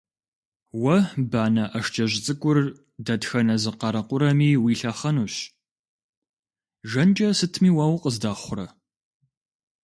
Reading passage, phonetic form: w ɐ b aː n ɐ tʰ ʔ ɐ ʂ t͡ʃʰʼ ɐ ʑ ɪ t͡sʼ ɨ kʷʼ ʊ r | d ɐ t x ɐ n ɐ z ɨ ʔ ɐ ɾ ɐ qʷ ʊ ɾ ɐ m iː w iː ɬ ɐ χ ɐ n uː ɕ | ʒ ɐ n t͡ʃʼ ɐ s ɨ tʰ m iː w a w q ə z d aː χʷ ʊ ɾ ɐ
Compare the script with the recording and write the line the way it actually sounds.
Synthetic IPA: w ɐ b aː n ɐ ʔ ɐ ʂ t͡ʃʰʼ ɐ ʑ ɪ t͡sʼ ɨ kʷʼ ʊ r | d ɐ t x ɐ n ɐ z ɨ q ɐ ɾ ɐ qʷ ʊ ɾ ɐ m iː w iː ɬ ɐ χ ɐ n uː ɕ | ʒ ɐ n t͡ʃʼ ɐ s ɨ tʰ m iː w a w q ə z d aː χʷ ʊ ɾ ɐ